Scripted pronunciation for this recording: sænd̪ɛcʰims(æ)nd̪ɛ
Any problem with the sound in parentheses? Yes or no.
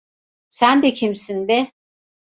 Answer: yes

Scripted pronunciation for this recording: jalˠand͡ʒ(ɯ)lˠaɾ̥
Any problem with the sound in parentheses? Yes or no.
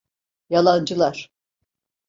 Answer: no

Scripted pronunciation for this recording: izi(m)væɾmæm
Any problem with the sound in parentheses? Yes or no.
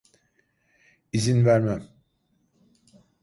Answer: yes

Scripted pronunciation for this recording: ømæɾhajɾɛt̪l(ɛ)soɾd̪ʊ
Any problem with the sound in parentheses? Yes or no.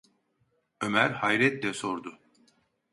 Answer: no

